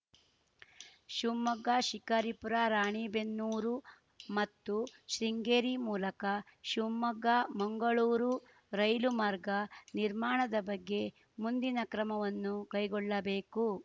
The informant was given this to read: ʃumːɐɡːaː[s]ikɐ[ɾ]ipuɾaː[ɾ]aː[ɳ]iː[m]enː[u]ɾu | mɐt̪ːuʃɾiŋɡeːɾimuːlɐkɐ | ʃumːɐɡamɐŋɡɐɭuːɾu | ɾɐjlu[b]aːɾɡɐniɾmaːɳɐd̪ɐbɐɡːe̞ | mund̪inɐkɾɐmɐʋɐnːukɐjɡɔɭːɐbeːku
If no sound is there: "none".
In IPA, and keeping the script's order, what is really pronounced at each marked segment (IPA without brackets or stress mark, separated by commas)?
ʃ, ɾ, ɾ, ɳ, b, uː, m